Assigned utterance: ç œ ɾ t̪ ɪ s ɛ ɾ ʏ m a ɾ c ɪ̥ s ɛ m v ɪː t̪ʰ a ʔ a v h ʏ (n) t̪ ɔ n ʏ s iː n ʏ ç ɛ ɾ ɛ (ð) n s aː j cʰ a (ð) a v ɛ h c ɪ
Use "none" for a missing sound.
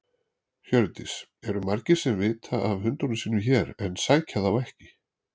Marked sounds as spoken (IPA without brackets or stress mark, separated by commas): n, none, ð